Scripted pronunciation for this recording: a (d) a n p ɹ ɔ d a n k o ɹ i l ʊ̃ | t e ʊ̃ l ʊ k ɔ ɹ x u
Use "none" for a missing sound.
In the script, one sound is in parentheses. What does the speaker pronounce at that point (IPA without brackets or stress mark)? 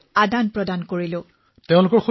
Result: d